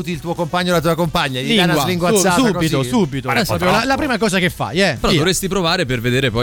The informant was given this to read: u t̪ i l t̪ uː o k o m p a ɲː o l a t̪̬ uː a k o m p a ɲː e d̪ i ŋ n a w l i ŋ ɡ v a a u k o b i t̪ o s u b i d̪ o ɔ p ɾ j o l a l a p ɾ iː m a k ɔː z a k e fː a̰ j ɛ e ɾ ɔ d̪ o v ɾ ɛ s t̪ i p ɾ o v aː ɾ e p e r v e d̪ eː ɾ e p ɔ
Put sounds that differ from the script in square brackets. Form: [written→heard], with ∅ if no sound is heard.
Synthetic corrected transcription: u t̪ i l t̪ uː o k o m p a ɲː o l a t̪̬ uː a k o m p a ɲː [e→a] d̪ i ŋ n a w l i ŋ ɡ [v→w] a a u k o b i t̪ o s u b i [d̪→t̪] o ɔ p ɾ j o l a l a p ɾ iː m a k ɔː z a k e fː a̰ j ɛ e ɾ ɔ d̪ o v ɾ [ɛ→e] s t̪ i p ɾ o v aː ɾ e p e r v e d̪ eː ɾ e p ɔ